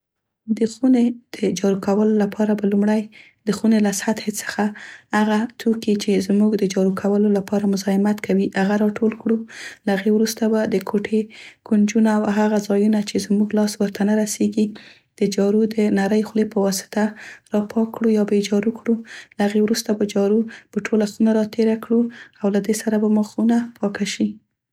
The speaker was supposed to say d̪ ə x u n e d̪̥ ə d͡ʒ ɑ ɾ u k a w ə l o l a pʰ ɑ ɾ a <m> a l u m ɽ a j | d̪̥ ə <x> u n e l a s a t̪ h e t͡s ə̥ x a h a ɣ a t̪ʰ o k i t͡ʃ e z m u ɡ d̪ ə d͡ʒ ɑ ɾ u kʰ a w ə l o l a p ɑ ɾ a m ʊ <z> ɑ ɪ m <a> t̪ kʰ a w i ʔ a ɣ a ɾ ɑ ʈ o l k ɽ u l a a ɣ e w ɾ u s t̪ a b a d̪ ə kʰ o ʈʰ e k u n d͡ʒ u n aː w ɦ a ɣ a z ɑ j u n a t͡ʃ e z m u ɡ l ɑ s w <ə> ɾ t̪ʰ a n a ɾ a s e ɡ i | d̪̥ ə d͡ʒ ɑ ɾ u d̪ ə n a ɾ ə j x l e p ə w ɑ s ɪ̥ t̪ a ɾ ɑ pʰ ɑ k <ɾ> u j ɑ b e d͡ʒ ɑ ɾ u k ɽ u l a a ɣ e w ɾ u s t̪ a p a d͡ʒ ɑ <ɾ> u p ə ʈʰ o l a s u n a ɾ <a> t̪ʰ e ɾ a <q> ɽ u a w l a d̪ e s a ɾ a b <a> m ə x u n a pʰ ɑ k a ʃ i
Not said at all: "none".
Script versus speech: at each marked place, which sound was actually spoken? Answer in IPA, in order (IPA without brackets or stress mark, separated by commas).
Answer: b, x, z, a, ə, ɽ, ɾ, ɑ, k, a